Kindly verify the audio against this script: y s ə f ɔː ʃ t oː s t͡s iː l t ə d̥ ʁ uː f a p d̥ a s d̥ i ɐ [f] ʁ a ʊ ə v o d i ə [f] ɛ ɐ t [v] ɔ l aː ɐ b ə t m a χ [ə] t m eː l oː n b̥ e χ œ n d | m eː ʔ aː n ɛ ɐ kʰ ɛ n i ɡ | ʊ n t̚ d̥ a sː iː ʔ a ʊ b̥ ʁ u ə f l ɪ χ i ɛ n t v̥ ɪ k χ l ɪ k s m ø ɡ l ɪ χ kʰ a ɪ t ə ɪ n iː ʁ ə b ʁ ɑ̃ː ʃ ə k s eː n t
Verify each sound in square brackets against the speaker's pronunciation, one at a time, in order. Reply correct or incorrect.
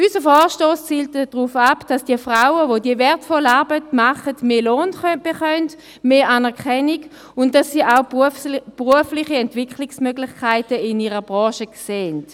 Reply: correct, incorrect, incorrect, correct

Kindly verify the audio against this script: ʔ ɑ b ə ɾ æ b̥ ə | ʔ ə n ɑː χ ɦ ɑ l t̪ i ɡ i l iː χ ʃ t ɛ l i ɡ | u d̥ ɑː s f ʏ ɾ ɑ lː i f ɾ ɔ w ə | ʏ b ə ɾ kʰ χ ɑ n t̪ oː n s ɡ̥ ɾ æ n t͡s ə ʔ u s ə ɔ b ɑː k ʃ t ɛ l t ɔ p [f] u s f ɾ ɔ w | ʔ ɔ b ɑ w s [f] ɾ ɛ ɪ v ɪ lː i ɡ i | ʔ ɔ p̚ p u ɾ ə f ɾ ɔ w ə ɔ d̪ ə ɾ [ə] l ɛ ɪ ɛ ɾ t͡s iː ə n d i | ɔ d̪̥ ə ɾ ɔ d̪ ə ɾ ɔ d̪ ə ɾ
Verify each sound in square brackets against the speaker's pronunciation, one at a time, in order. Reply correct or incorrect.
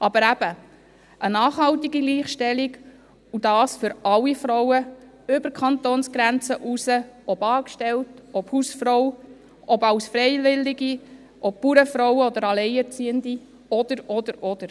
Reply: incorrect, correct, incorrect

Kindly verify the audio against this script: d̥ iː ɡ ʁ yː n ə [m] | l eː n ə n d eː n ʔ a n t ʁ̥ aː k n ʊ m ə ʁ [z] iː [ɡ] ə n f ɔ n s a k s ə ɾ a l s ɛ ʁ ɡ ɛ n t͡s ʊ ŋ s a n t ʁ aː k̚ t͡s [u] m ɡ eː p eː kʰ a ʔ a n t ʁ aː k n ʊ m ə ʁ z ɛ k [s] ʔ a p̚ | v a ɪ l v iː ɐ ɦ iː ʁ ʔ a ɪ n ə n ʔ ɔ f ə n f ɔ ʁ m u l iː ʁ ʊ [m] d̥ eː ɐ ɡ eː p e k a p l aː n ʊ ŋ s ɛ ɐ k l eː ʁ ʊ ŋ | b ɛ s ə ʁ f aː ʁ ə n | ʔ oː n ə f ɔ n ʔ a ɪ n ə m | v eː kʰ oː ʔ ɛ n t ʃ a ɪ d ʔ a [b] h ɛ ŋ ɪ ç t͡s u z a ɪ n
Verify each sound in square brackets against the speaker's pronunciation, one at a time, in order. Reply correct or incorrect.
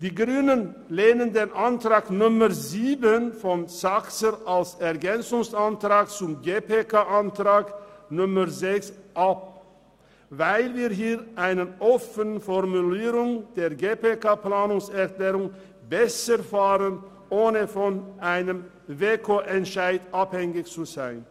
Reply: incorrect, correct, incorrect, incorrect, correct, incorrect, incorrect

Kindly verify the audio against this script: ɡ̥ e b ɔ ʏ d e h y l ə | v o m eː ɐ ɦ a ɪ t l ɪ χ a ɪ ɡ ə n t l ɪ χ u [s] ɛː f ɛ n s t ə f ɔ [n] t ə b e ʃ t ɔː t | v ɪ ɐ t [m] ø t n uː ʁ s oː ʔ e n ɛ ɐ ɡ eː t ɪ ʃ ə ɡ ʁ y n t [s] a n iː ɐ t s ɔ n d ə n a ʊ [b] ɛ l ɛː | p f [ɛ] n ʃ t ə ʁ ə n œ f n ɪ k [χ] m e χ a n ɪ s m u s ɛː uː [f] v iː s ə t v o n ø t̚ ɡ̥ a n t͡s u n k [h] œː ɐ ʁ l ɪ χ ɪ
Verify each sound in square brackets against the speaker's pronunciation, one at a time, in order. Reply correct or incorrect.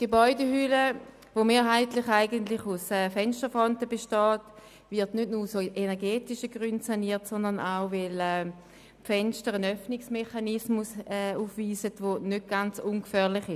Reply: correct, correct, incorrect, correct, incorrect, correct, incorrect, correct, incorrect

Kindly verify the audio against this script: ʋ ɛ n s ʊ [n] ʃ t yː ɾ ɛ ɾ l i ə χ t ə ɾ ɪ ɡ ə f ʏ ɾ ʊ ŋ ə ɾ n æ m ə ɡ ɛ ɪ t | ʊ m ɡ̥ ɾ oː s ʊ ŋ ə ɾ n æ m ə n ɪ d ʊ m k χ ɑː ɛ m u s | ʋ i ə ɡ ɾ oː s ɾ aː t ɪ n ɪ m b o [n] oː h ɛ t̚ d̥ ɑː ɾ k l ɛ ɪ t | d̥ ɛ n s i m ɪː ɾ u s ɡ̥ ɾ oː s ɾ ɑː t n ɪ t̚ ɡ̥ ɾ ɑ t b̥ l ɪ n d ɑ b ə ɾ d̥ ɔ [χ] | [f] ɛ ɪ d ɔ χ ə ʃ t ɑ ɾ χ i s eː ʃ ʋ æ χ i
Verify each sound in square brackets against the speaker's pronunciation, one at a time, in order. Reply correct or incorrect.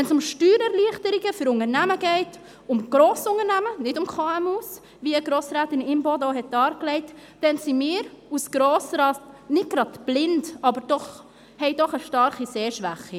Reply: incorrect, incorrect, correct, incorrect

